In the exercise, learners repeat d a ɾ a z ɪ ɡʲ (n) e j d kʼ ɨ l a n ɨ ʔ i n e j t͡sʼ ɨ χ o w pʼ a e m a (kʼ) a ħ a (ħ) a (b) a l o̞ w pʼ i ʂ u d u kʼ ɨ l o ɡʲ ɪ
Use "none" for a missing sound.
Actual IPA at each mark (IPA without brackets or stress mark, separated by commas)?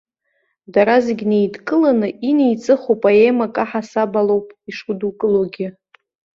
n, kʼ, s, b